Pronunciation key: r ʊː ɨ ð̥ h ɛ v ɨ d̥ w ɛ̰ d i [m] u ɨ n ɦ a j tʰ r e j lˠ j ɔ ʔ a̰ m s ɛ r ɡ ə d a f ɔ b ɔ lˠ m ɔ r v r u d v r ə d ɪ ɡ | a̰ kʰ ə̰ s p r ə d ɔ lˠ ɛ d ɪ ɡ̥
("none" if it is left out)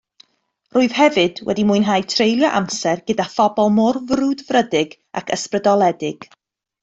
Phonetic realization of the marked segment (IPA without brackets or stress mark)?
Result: m